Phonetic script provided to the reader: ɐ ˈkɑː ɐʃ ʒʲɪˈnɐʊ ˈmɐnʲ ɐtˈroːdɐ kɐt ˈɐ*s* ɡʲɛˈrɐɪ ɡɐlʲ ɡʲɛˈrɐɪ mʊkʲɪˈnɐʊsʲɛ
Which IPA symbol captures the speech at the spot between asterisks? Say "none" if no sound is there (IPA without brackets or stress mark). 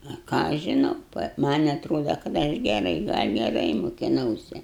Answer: ʃ